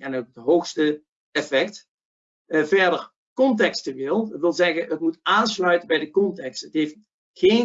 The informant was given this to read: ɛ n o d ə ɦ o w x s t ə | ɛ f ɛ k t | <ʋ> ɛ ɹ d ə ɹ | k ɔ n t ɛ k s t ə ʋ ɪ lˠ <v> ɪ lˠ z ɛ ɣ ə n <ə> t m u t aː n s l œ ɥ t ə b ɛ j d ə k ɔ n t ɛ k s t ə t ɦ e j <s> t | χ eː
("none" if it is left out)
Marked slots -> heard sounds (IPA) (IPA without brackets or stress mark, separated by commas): v, ʋ, ə, f